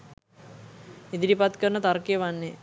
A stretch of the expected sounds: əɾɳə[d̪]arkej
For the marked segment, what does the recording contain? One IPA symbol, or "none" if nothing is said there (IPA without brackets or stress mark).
t̪